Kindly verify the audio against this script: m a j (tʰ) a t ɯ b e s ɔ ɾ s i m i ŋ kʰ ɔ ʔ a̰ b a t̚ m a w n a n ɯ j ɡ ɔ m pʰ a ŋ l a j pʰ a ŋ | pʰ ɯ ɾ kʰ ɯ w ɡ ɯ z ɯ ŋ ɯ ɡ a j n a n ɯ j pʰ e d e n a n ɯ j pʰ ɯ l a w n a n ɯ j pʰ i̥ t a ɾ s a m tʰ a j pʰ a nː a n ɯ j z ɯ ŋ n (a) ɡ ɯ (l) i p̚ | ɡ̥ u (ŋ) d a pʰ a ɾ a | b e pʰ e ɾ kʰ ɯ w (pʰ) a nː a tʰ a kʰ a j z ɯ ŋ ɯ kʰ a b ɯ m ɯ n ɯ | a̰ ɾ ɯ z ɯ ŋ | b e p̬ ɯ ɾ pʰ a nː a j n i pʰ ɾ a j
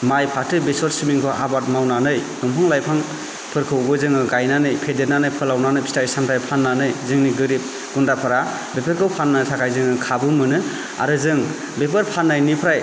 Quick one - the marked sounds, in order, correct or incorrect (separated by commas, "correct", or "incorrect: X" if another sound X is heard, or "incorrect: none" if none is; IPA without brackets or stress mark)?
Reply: incorrect: pʰ, incorrect: i, incorrect: ɾ, incorrect: n, correct